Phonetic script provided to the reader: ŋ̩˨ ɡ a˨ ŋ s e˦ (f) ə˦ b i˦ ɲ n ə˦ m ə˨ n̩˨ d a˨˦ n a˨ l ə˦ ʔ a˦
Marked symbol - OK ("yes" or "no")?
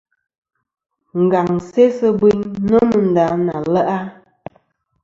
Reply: no